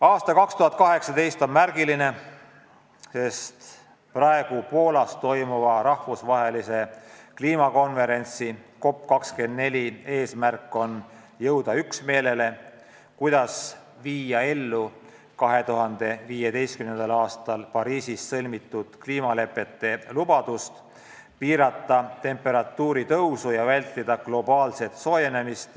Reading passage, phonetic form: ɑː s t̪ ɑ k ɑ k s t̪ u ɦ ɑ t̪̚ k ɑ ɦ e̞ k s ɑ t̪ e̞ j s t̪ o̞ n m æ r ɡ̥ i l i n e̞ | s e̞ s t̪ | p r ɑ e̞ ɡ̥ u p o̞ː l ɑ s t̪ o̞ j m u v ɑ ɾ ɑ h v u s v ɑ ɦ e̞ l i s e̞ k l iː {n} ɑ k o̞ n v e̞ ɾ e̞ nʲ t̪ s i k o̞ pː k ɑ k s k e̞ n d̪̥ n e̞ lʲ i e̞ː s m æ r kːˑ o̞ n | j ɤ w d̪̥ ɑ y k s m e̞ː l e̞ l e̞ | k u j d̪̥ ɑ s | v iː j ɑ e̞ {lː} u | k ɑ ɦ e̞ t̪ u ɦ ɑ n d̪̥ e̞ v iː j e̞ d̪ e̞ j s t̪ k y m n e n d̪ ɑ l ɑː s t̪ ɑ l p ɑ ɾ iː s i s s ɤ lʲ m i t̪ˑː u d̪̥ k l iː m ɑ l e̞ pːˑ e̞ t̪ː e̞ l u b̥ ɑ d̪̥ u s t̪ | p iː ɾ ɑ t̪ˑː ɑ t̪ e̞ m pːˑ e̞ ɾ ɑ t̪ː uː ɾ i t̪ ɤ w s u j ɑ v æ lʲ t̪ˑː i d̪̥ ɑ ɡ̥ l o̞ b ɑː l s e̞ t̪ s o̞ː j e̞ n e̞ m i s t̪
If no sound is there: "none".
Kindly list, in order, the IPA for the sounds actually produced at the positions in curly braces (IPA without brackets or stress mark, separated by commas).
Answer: m, lː